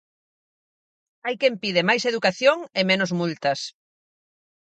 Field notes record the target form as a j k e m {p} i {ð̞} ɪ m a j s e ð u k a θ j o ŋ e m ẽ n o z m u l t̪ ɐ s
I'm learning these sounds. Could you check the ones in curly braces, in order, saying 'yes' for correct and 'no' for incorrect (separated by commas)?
yes, yes